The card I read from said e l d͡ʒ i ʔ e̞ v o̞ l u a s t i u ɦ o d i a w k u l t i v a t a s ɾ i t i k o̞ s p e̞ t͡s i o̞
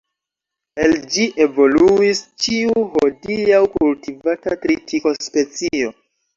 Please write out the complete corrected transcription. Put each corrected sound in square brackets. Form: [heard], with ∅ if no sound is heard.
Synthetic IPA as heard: e l d͡ʒ i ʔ e̞ v o̞ l u [i] s [t͡ʃ] i u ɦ o d i a w k u l t i v a t a [t] ɾ i t i k o̞ s p e̞ t͡s i o̞